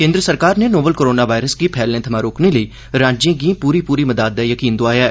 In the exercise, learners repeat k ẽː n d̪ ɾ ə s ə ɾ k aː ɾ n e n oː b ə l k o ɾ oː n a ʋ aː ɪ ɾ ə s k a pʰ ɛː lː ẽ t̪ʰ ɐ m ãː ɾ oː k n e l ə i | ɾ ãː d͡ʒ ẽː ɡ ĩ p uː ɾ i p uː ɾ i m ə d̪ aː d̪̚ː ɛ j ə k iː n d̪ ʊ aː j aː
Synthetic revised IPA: k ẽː n d̪ ɾ ə s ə ɾ k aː ɾ n e n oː b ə l k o ɾ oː n a ʋ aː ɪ ɾ ə s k i pʰ ɛː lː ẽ t̪ʰ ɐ m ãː ɾ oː k n e l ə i | ɾ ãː d͡ʒ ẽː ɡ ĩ p uː ɾ i p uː ɾ i m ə d̪ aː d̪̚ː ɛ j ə k iː n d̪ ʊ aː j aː